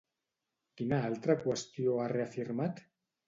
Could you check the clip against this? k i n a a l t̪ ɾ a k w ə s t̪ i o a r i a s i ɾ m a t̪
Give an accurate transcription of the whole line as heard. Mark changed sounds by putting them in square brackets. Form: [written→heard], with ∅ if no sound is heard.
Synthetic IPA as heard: k i n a a l t̪ ɾ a k w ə s t̪ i o a r [i→e] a [s→f] i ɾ m a t̪